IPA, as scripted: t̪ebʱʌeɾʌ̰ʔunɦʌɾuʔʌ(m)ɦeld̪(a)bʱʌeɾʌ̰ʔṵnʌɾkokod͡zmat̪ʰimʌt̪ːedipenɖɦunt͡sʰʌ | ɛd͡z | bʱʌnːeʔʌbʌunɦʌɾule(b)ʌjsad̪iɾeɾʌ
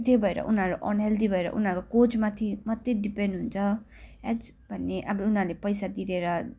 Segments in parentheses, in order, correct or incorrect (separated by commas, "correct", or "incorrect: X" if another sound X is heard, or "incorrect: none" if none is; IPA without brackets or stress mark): incorrect: n, incorrect: i, incorrect: p